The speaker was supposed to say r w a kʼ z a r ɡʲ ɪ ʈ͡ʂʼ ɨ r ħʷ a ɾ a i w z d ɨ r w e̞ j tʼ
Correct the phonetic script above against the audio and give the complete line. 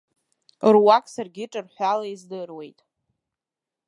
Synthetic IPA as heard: r w a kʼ s a r ɡʲ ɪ ʈ͡ʂʼ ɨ r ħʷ a l a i z d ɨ r w e̞ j tʼ